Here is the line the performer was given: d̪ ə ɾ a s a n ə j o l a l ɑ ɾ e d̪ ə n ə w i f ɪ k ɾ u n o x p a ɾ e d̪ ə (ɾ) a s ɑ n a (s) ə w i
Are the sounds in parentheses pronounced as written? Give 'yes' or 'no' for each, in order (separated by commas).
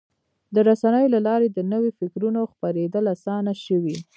no, no